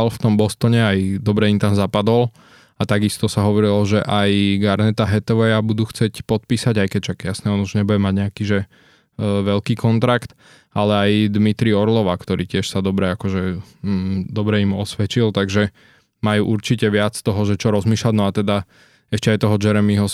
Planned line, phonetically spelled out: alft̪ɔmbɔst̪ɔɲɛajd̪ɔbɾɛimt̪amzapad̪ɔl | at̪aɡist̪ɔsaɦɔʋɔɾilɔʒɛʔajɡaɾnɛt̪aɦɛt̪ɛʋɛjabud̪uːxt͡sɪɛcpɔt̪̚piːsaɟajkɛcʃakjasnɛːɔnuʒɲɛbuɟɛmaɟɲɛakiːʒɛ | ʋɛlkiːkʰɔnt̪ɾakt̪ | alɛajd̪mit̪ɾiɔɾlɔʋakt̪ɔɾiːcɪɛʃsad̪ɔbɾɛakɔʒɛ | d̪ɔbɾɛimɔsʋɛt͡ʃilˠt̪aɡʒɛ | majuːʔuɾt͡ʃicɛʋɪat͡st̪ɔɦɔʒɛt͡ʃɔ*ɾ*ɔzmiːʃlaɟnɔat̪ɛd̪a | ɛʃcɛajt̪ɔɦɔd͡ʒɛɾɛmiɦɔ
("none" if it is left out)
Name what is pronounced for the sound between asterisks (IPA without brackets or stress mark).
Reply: ɾ